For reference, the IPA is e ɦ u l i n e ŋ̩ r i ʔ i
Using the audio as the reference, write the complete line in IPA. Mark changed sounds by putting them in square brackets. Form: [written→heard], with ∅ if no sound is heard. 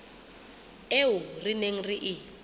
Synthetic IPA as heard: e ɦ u [l→r] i n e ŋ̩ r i ʔ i

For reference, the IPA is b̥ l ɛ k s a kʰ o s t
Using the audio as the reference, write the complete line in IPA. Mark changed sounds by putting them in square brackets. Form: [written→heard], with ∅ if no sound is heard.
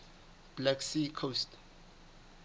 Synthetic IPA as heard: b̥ l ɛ k s [a→i] kʰ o s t

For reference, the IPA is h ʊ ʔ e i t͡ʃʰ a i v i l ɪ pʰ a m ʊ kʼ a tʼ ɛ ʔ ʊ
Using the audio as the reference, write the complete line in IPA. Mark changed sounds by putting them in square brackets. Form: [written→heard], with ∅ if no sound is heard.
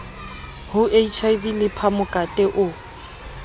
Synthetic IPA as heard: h ʊ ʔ e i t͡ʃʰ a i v i l ɪ pʰ a m ʊ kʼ a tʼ ɛ ʔ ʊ

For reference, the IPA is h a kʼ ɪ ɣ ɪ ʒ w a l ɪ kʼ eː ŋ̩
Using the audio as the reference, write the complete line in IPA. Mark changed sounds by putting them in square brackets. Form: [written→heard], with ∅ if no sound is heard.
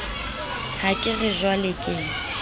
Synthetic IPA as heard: h a kʼ ɪ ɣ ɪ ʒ w a l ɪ kʼ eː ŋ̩

